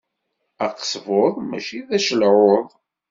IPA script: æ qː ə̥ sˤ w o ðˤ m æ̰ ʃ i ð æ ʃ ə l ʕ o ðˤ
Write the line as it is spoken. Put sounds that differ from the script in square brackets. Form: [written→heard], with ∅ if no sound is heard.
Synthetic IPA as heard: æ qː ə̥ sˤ [w→v] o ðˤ m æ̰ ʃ i ð æ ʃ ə l ʕ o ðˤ